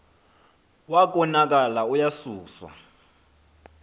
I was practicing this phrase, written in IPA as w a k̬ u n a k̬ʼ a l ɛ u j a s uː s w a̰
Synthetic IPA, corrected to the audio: w a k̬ ɔ n a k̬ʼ a l a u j a s uː s w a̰